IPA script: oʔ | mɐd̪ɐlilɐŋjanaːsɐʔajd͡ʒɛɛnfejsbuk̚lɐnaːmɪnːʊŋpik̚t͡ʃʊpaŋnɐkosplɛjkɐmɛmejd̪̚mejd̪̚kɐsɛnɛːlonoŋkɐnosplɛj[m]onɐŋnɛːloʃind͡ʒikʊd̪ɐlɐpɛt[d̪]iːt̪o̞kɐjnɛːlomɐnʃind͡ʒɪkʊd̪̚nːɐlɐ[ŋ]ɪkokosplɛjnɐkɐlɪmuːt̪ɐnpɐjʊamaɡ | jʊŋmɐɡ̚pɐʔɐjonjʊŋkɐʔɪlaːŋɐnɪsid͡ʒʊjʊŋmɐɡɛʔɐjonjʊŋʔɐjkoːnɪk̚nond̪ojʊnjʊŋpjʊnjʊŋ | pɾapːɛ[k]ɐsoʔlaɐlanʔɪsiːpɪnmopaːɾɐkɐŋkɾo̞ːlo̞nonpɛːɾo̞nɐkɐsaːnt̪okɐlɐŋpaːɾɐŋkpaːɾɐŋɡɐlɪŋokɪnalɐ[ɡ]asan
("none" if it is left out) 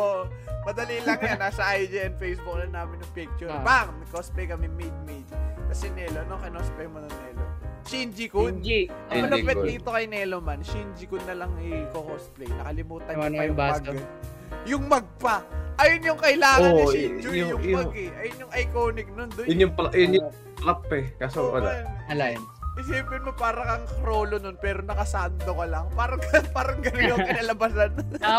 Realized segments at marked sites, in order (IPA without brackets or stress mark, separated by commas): m, d̪, ŋ, k, b